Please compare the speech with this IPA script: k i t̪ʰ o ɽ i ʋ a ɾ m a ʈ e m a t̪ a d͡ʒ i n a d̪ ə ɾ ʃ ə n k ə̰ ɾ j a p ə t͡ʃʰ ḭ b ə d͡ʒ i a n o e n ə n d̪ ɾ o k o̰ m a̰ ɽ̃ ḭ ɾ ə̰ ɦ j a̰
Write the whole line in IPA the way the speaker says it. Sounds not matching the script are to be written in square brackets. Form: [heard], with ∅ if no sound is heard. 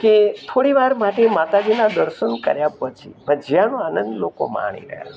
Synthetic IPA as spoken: k [e] t̪ʰ o ɽ i ʋ a ɾ m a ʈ e m a t̪ a d͡ʒ i n a d̪ ə ɾ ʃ ə n k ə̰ ɾ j a p ə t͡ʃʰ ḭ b ə d͡ʒ [j] a n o [a] n ə n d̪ [l] o k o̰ m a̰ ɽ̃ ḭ ɾ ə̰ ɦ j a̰